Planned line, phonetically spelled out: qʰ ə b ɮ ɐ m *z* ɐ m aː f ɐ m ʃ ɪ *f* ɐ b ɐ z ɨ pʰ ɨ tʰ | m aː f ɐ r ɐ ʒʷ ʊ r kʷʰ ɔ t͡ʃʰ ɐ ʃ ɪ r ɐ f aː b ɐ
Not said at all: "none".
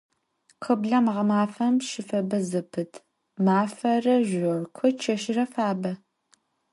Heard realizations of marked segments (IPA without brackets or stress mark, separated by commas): ʁ, f